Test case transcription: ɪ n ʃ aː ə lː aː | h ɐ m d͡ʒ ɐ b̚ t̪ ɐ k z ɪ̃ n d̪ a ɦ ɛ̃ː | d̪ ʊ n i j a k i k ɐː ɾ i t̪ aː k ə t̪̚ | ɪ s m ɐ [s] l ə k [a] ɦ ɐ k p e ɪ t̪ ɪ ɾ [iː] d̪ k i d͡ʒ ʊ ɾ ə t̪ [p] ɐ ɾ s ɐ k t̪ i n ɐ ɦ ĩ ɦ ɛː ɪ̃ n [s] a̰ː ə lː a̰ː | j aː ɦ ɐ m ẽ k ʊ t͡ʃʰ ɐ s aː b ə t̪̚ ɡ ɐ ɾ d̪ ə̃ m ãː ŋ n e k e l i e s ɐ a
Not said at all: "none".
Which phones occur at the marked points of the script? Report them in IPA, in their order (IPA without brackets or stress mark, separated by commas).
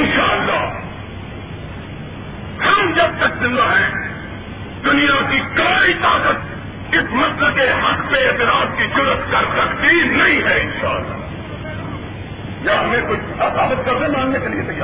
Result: s, e, aː, k, ʃ